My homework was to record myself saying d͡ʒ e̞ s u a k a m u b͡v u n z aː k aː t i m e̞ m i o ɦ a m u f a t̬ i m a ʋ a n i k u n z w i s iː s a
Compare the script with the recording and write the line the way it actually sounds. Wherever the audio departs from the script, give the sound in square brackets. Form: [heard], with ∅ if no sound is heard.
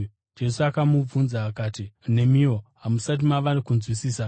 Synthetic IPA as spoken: d͡ʒ e̞ s u a k a m u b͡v u n z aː k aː t i [n] e̞ m i o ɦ a m u [s] a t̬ i m a ʋ a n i k u n z w i s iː s a